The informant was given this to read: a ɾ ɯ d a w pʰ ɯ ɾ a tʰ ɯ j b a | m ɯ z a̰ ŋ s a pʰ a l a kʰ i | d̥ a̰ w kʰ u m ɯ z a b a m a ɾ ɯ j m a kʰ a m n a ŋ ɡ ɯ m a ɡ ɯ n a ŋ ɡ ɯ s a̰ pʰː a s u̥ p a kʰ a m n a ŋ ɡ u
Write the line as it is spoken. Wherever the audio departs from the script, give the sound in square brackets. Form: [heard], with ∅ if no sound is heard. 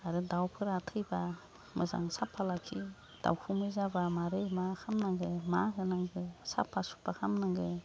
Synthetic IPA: a ɾ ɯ d a w pʰ ɯ ɾ a tʰ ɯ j b a | m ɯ z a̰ ŋ s a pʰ a l a kʰ i | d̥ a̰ w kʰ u m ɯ z a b a m a ɾ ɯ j m a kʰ a m n a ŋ ɡ ɯ m a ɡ ɯ n a ŋ ɡ ɯ s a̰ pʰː a s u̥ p a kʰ a m n a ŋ ɡ [ɯ]